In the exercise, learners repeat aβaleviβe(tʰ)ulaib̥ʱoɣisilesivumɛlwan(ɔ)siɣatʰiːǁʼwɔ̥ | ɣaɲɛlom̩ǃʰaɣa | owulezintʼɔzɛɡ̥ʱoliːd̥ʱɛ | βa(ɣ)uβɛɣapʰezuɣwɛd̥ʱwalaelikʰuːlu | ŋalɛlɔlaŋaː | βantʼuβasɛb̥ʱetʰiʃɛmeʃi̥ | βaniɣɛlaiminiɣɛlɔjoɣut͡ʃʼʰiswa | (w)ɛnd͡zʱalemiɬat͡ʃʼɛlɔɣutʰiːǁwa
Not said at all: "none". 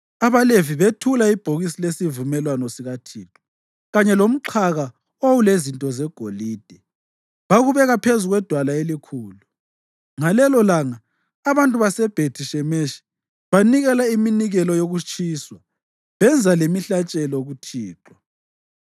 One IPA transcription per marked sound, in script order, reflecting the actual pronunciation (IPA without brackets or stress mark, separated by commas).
tʰ, ɔ, ɣ, β